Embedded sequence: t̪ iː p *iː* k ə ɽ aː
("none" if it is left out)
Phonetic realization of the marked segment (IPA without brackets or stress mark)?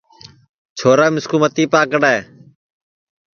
aː